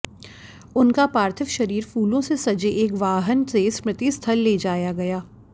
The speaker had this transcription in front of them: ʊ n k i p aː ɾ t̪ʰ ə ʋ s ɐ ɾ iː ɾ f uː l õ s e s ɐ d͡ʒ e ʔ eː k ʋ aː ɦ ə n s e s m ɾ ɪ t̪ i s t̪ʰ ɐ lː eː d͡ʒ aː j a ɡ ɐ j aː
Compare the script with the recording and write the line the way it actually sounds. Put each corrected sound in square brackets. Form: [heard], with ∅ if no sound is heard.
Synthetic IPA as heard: ʊ n k [a] p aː ɾ t̪ʰ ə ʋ [ʃ] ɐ ɾ iː ɾ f uː l õ s e s ɐ d͡ʒ e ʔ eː k ʋ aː ɦ ə n s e s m ɾ ɪ t̪ i s t̪ʰ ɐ lː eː d͡ʒ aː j a ɡ ɐ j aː